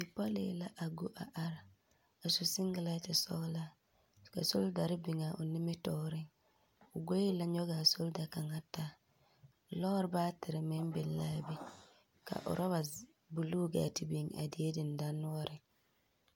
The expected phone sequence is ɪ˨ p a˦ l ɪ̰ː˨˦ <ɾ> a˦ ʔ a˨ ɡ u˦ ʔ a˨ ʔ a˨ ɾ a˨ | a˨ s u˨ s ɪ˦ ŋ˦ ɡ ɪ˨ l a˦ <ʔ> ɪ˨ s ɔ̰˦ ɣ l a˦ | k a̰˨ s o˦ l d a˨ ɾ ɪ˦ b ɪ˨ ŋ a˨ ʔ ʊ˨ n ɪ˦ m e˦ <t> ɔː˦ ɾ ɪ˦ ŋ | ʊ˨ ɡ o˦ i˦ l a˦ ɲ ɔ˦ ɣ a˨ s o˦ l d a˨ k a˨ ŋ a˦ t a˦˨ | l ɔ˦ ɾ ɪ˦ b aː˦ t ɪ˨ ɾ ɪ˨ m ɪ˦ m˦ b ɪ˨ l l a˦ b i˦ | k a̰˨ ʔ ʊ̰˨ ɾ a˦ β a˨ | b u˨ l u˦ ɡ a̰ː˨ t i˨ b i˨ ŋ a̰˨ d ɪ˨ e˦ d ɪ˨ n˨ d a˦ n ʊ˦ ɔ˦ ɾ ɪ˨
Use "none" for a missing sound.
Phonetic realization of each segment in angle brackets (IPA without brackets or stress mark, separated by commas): l, t, t